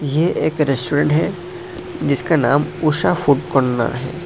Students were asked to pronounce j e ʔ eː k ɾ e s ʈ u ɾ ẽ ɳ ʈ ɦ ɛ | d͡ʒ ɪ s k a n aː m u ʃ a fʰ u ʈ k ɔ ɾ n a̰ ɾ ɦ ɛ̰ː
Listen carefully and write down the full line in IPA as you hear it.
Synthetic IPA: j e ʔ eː k ɾ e s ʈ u ɾ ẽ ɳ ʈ ɦ ɛ | d͡ʒ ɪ s k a n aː m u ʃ a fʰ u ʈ k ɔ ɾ n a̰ ɾ ɦ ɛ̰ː